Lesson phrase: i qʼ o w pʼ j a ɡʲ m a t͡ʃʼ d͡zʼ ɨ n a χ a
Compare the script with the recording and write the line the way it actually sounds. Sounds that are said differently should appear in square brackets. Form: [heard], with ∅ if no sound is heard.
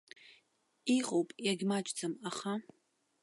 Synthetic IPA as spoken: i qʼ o w pʼ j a ɡʲ m a t͡ʃʼ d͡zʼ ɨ [m] a χ a